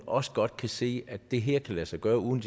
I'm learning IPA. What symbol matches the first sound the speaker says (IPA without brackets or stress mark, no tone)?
ɒ̽